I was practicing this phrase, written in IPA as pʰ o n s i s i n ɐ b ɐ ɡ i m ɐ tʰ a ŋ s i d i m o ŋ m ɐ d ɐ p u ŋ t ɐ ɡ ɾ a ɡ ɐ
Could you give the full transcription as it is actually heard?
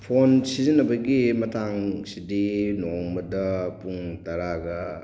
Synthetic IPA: pʰ o n s i z i n ɐ b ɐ ɡ i m ɐ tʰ a ŋ s i d i n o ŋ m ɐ d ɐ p u ŋ t ɐ ɾ a ɡ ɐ